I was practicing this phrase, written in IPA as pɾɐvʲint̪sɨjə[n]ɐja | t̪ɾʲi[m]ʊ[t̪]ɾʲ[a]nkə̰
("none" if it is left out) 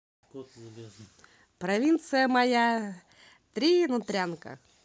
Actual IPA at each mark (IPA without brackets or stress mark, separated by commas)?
m, n, t̪, a